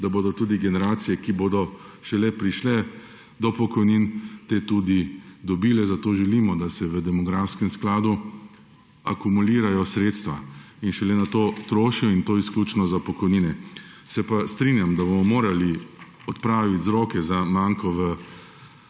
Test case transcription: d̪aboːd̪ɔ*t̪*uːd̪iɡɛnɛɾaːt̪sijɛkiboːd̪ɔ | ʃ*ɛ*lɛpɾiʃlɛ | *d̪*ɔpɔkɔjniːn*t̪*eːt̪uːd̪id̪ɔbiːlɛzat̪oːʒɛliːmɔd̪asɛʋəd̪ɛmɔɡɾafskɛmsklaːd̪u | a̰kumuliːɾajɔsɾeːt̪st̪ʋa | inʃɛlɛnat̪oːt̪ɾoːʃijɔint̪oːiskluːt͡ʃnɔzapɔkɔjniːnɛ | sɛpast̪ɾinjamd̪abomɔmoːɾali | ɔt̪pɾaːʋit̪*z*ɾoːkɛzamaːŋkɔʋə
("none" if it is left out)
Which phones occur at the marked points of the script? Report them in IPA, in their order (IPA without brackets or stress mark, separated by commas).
t̪, ɛ, d̪, t̪, z